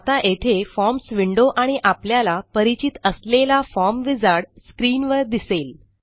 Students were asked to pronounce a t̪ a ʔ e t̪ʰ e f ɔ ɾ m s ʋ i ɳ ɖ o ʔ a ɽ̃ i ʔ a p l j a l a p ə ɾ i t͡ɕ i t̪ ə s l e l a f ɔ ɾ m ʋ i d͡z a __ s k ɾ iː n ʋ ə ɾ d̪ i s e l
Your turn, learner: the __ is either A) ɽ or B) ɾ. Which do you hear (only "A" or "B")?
A